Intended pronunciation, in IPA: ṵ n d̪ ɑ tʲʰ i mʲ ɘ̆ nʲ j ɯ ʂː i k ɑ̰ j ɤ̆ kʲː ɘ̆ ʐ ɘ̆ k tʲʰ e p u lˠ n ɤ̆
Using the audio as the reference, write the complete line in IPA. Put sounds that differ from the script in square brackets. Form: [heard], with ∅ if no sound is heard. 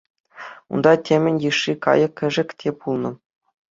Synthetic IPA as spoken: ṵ n d̪ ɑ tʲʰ [e] mʲ ɘ̆ nʲ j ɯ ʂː i k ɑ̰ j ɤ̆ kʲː ɘ̆ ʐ ɘ̆ k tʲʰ e p u lˠ n ɤ̆